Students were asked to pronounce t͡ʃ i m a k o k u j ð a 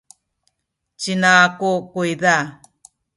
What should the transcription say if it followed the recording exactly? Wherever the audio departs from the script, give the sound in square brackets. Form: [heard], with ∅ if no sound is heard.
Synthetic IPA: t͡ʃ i [n] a k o k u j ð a